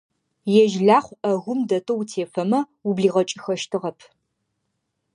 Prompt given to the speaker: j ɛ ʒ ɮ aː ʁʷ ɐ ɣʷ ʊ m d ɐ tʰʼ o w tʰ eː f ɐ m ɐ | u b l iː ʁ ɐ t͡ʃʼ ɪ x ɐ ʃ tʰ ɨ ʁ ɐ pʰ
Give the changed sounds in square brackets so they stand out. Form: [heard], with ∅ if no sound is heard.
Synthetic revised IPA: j ɛ ʒ ɮ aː [χʷ] ɐ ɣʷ ʊ m d ɐ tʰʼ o w tʰ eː f ɐ m ɐ | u b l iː ʁ ɐ t͡ʃʼ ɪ x ɐ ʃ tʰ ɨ ʁ ɐ pʰ